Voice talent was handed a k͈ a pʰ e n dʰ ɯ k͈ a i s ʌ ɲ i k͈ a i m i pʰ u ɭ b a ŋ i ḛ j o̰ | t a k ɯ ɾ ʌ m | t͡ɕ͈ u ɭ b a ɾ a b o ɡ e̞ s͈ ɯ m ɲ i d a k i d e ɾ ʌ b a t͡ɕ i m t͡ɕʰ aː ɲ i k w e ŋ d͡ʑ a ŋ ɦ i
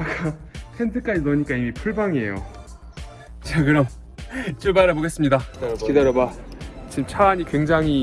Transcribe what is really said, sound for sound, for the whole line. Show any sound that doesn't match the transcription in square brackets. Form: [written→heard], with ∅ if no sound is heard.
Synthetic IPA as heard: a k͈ a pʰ e n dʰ ɯ k͈ a i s ʌ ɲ i k͈ a i m i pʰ u ɭ b a ŋ i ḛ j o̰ | [t→t͡ɕ] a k ɯ ɾ ʌ m | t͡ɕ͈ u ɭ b a ɾ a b o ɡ e̞ s͈ ɯ m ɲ i d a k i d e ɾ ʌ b a t͡ɕ i m t͡ɕʰ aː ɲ i k w e ŋ d͡ʑ a ŋ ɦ i